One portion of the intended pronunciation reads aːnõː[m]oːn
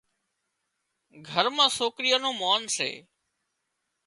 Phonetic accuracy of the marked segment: correct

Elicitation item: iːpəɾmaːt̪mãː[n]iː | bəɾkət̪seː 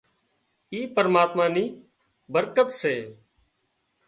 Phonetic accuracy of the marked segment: correct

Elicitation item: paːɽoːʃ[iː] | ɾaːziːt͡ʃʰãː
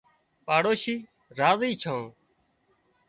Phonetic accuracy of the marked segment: correct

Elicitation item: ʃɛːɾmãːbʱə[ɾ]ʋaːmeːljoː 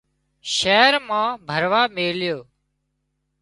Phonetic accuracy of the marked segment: correct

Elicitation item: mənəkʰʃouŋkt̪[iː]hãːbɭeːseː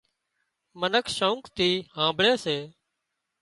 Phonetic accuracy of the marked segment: correct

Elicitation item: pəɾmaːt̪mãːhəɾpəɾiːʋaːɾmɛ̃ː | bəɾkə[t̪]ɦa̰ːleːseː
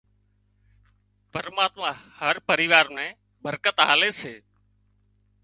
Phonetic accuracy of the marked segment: correct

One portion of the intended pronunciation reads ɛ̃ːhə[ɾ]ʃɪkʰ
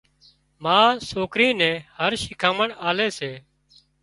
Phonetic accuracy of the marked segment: correct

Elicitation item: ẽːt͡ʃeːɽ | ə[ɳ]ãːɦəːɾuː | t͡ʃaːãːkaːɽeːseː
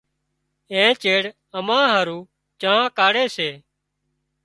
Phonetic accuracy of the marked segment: incorrect: m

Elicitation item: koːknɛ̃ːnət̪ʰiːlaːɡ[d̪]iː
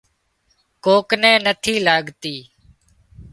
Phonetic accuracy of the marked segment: incorrect: t̪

